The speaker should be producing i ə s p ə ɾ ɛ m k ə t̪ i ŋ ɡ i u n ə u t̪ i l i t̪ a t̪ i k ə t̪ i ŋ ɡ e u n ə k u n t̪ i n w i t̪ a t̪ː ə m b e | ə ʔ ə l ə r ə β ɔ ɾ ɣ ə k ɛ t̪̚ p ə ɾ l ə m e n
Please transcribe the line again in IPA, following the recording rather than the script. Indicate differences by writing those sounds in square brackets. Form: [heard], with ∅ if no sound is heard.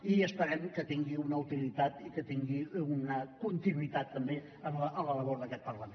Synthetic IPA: i ə s p ə ɾ ɛ m k ə t̪ i ŋ ɡ i u n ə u t̪ i l i t̪ a t̪ i k ə t̪ i ŋ ɡ [i] u n ə k u n t̪ i n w i t̪ a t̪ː ə m b e | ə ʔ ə l ə [l] ə β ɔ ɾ [ð] ə k ɛ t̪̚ p ə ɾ l ə m e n